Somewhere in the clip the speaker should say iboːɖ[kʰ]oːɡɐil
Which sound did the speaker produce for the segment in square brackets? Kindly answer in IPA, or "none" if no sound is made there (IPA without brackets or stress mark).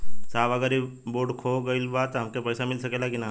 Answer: kʰ